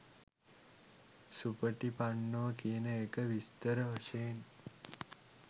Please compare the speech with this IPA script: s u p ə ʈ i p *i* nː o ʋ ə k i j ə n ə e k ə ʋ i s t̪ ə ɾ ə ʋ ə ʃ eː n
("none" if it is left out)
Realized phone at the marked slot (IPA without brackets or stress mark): a